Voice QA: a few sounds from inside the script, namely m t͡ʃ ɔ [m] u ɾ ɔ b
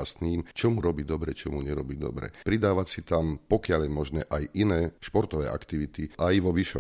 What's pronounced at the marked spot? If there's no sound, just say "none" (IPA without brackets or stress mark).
m